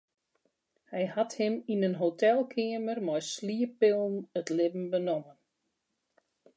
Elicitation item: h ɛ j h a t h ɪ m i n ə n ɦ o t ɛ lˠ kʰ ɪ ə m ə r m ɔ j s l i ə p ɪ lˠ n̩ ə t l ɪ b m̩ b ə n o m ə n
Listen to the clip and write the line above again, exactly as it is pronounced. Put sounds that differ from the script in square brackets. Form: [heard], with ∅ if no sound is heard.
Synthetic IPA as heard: h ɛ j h a t h ɪ m i n ə n ɦ o t ɛ lˠ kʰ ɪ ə m ə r m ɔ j s l i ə p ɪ lˠ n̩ ə t l ɪ b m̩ b ə n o m ə n